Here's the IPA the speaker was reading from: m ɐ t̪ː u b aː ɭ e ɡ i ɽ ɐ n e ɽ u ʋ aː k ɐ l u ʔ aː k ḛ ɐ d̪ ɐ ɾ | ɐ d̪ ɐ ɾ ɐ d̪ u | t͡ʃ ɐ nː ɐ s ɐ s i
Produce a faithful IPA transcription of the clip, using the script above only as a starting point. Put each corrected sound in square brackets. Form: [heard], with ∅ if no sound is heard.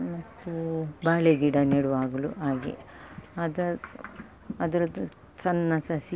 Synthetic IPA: m ɐ t̪ː u b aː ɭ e ɡ i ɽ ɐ n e ɽ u ʋ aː [ɡ] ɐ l u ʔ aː [ɡ] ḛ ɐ d̪ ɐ [∅] | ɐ d̪ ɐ ɾ ɐ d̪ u | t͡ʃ ɐ nː ɐ s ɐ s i